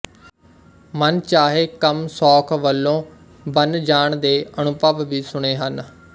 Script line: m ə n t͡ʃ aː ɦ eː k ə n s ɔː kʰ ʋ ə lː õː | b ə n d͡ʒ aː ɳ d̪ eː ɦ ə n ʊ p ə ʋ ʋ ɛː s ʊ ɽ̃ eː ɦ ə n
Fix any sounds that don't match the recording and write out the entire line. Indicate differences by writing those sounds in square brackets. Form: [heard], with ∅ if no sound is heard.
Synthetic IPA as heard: m ə n t͡ʃ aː ɦ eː k ə [m] s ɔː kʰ ʋ ə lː õː | b ə n d͡ʒ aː ɳ d̪ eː [∅] ə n ʊ p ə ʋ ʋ [iː] s ʊ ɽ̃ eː ɦ ə n